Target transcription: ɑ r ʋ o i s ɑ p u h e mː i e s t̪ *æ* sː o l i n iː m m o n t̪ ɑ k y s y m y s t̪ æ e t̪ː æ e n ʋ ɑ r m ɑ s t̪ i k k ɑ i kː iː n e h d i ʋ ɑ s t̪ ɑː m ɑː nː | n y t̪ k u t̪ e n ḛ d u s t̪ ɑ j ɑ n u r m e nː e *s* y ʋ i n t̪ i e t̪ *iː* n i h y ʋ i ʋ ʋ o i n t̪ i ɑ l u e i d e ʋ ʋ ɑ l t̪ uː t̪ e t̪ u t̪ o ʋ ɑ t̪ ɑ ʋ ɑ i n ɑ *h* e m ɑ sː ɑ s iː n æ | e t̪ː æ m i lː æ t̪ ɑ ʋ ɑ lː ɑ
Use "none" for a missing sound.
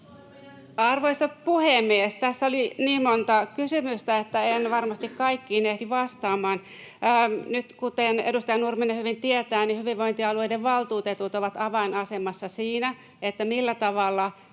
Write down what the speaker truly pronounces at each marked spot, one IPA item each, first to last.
æ, h, æː, s

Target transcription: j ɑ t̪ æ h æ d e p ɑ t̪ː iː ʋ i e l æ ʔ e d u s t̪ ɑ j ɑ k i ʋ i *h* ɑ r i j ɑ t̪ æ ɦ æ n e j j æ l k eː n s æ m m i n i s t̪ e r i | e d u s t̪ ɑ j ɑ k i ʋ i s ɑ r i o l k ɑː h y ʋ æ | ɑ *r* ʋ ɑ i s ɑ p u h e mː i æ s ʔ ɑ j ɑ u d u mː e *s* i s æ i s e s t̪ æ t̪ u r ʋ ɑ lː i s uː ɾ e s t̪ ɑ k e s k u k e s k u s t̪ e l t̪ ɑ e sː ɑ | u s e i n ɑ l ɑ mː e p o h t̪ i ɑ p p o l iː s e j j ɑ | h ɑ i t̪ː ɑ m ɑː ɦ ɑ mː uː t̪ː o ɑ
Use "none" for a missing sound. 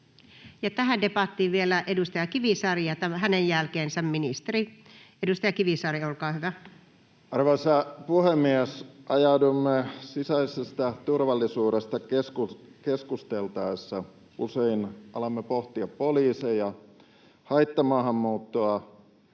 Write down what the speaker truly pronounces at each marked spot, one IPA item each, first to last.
s, r, s

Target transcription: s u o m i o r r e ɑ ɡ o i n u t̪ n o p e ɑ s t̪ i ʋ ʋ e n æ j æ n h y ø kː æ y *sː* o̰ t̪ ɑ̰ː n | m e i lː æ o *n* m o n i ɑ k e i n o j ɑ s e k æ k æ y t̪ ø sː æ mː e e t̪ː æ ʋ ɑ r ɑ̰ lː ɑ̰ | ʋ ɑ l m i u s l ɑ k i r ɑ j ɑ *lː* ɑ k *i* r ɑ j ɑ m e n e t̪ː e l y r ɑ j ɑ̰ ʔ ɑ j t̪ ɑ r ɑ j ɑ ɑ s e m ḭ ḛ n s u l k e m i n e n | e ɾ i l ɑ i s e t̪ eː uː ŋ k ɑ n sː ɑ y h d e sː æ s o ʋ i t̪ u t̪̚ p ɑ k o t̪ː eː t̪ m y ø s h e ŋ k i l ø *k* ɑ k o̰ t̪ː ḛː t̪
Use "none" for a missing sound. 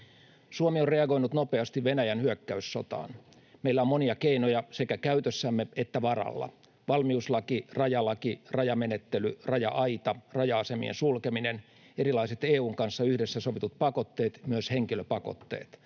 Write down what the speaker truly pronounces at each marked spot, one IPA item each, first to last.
sː, m, l, i, p

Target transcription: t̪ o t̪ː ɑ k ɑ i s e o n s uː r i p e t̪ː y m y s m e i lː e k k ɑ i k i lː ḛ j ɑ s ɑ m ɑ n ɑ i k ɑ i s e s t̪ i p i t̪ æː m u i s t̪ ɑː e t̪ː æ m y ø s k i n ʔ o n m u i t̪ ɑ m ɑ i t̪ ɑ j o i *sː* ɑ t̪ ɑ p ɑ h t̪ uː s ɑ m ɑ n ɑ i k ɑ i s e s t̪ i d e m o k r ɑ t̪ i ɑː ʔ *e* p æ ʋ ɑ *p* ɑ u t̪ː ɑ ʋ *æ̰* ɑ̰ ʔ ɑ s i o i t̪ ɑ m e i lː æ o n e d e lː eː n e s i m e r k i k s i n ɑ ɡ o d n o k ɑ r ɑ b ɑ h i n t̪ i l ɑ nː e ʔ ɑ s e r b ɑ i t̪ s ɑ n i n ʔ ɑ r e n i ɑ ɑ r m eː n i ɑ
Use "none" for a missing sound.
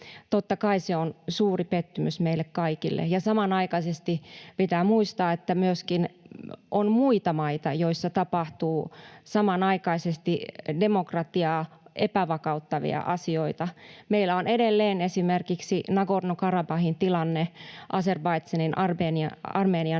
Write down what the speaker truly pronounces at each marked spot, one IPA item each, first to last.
sː, e, k, ḭ

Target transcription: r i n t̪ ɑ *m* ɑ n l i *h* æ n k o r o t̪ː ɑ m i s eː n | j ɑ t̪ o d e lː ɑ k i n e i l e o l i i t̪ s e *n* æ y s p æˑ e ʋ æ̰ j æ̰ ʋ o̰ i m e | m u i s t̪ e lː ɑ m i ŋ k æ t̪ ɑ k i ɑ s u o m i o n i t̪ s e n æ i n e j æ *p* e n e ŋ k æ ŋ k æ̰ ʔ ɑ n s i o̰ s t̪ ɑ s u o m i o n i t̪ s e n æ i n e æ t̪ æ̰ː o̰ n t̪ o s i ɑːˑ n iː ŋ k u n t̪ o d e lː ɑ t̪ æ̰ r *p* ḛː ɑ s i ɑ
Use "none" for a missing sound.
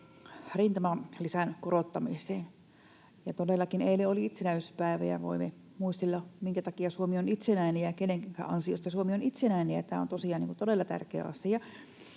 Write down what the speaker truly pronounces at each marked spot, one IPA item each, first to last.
m, s, n, k, k

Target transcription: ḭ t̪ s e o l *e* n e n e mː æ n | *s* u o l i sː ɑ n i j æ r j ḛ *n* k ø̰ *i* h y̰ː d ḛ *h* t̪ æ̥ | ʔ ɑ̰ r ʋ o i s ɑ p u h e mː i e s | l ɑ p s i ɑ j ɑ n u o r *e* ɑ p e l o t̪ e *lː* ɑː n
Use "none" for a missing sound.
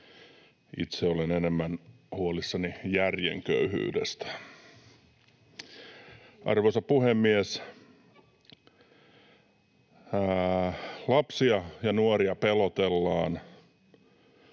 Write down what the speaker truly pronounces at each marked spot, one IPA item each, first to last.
e, h, ŋ, y, s, i, lː

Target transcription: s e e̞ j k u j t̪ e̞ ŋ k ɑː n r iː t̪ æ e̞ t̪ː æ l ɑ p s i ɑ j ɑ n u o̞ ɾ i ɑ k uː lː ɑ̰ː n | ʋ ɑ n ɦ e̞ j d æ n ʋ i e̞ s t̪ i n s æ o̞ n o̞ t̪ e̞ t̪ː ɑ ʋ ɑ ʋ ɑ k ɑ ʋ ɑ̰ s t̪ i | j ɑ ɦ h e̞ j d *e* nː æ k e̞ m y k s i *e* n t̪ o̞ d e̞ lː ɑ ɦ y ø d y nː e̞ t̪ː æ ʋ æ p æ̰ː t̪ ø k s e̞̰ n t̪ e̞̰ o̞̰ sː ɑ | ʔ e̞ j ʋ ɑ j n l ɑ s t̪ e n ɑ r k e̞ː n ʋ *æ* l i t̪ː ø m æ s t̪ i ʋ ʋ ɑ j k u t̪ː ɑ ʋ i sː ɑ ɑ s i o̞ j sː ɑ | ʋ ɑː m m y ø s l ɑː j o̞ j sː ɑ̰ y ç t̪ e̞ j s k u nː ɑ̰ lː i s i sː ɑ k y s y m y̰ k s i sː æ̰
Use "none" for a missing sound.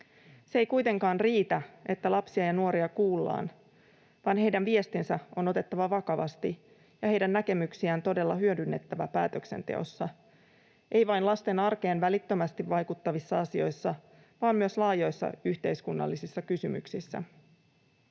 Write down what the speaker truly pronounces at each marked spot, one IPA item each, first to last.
æ, æ, æ

